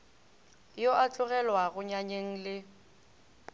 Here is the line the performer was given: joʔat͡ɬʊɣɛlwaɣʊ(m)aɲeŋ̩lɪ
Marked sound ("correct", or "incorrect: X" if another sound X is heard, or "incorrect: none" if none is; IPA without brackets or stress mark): incorrect: ɲ